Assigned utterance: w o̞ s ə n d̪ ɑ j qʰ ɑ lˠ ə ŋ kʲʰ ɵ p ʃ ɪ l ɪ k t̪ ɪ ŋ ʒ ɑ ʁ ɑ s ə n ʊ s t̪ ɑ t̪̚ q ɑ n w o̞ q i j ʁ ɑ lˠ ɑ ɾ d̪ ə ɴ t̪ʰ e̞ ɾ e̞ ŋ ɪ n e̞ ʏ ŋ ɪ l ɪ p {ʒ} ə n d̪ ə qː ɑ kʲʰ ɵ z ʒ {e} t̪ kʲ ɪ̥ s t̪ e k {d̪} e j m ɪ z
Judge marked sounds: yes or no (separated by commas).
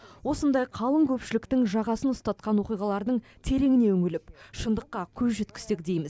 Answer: no, yes, yes